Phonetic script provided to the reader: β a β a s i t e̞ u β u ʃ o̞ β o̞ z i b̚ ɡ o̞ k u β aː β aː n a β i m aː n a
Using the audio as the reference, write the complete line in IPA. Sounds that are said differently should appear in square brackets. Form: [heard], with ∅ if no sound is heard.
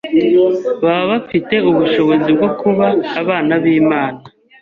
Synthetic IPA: β a β a [f] i t e̞ u β u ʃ o̞ β o̞ z i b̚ ɡ o̞ k u β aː β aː n a β [iː] m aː n a